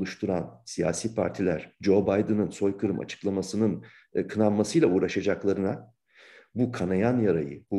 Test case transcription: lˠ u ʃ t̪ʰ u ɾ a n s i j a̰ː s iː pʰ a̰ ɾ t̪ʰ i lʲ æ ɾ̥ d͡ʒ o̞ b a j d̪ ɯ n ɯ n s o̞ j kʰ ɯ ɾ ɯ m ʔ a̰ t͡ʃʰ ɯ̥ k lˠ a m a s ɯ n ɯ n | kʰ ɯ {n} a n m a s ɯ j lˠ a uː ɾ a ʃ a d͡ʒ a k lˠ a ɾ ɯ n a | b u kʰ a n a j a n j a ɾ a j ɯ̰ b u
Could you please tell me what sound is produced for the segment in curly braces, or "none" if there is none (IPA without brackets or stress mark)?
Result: n